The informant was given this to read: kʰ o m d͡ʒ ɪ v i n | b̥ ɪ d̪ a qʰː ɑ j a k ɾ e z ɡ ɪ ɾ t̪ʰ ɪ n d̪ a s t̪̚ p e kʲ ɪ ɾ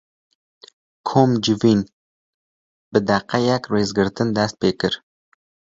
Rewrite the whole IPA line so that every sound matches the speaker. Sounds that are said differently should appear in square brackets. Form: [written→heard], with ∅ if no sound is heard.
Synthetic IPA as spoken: kʰ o m d͡ʒ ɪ v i n | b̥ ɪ d̪ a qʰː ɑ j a k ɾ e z ɡ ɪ ɾ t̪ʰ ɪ n d̪ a s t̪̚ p e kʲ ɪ ɾ